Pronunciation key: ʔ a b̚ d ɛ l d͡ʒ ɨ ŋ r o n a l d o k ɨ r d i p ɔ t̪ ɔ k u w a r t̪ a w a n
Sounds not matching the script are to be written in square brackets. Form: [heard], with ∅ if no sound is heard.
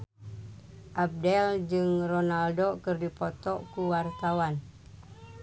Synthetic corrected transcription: ʔ a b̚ d ɛ l d͡ʒ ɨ ŋ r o n a l d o k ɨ r d i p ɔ t̪ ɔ k u w a r t̪ a w a n

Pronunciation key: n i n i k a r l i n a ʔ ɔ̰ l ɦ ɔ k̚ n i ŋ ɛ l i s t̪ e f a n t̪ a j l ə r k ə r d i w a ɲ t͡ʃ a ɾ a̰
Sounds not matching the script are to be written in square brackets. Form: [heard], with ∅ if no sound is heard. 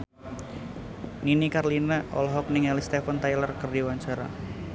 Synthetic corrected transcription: n i n i k a r l i n a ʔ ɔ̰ l ɦ ɔ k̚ n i ŋ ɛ l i s t̪ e f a n t̪ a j l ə r k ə r d i w a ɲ t͡ʃ a ɾ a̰

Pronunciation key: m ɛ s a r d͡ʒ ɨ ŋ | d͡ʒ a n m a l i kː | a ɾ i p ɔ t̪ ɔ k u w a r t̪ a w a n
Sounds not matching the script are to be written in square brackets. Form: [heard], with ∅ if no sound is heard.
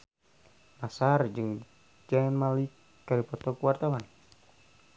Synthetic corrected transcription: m [a] s a r d͡ʒ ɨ ŋ | d͡ʒ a n m a l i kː | a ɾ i p ɔ t̪ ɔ k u w a r t̪ a w a n

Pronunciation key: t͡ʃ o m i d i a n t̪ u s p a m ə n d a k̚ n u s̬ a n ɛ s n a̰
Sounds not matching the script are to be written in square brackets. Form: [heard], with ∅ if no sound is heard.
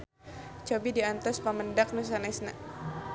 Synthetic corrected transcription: t͡ʃ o [b] i d i a n t̪ [ɔ] s p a m ə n d a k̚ n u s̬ a n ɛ s n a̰

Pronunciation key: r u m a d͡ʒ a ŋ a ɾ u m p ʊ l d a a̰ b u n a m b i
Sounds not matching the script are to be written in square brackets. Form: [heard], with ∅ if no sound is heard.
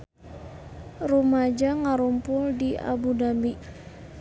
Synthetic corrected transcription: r u m a d͡ʒ a ŋ a ɾ u m p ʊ l d [i] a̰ b u [d] a m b i

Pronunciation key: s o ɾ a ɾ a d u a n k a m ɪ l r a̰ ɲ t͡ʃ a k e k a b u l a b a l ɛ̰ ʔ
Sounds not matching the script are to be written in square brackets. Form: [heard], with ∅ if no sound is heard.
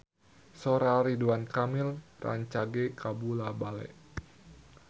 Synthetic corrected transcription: s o ɾ a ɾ [i] d u a n k a m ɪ l r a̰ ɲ t͡ʃ a [ɡ] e k a b u l a b a l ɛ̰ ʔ

